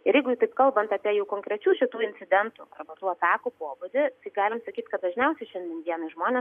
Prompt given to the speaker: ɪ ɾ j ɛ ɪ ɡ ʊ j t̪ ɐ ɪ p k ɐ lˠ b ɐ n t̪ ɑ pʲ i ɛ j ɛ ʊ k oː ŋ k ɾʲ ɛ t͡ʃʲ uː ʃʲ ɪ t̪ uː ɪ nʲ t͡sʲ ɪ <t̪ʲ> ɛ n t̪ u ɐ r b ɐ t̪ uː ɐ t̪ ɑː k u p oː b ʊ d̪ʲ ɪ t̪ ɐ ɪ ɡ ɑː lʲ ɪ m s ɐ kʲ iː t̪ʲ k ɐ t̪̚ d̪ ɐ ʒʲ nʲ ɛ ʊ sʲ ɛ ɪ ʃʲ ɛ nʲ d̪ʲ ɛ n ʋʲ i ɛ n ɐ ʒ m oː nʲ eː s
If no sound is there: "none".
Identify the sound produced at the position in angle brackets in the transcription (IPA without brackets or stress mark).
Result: d̪ʲ